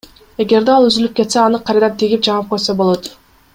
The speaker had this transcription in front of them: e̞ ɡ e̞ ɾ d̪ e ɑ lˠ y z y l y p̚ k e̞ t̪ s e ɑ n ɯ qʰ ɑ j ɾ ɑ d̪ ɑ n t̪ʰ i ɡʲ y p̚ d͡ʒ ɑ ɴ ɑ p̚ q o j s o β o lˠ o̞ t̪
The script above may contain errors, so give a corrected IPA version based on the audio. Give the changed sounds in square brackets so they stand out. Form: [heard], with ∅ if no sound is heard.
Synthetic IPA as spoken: e̞ ɡ e̞ ɾ d̪ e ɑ lˠ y z y l y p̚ k e̞ t̪ s e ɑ n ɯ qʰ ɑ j ɾ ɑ d̪ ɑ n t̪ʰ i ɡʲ [i] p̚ d͡ʒ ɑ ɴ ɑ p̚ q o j s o [b] o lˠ o̞ t̪